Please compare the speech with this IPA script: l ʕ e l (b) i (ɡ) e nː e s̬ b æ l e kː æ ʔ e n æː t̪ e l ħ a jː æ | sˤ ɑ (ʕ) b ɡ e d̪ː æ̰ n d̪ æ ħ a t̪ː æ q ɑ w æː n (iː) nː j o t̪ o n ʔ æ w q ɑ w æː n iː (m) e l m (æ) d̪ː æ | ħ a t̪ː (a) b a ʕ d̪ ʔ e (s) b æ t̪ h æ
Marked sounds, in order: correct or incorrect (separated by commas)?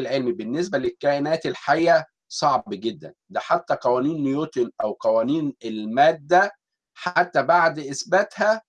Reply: incorrect, incorrect, correct, correct, incorrect, incorrect, incorrect, correct